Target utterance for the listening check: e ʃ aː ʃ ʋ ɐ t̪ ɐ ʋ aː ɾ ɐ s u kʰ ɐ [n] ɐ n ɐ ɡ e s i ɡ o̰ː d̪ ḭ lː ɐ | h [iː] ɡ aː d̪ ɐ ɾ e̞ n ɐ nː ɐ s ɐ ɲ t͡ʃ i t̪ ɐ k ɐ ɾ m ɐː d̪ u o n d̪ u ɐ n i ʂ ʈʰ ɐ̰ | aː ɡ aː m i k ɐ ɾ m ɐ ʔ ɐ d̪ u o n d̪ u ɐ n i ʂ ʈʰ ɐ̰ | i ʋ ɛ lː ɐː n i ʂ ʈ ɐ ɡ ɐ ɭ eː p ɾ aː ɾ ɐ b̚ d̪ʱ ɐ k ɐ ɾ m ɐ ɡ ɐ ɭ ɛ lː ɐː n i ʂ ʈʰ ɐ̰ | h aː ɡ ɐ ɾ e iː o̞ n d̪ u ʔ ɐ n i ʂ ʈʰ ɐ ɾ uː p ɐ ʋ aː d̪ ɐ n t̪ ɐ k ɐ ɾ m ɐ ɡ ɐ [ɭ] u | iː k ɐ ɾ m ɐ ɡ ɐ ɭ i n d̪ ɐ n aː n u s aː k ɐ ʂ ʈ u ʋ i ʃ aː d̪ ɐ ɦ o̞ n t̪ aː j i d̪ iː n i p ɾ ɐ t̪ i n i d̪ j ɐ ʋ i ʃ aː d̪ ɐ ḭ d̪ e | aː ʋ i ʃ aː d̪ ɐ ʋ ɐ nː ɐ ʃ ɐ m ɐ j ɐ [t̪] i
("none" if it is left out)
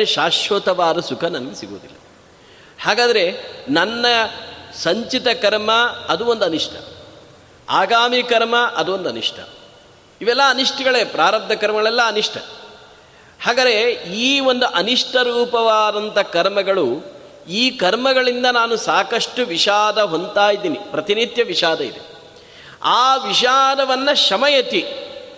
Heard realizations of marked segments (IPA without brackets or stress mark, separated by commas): n, aː, ɭ, t̪